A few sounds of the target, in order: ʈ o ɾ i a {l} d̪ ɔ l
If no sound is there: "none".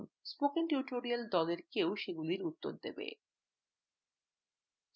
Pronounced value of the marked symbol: l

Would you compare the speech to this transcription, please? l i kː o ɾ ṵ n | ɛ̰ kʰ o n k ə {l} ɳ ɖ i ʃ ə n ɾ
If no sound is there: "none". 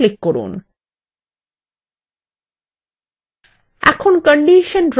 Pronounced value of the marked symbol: none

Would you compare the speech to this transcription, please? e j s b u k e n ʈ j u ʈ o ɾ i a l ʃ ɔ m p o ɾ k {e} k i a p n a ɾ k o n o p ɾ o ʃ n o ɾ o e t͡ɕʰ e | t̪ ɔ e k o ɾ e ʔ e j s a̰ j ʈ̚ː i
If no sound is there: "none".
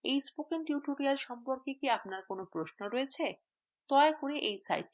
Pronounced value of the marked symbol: e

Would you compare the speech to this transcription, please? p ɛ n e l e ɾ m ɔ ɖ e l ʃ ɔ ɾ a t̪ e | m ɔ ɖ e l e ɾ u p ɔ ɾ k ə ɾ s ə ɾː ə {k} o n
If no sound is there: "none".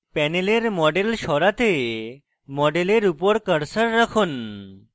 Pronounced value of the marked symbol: kʰ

